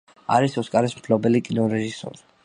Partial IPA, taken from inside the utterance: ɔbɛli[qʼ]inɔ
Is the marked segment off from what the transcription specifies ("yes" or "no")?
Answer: yes